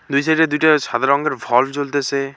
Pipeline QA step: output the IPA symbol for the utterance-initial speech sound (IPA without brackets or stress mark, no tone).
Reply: d̪